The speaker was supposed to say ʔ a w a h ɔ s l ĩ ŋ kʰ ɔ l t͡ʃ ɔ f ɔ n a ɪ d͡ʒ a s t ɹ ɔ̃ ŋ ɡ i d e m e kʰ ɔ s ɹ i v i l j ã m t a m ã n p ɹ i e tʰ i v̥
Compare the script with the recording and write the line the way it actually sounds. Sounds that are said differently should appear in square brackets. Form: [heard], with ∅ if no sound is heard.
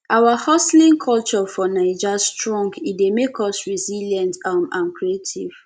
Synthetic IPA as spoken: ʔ a w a h ɔ s l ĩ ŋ kʰ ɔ l t͡ʃ ɔ f ɔ n a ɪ d͡ʒ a s t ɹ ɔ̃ ŋ ɡ i d e m e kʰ ɔ s ɹ i [z] i l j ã [n] t a m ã n [k] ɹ i e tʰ i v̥